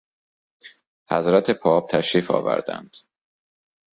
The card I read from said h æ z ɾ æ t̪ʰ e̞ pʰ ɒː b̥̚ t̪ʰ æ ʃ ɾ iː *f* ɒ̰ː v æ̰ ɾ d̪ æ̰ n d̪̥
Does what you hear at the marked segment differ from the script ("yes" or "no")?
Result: no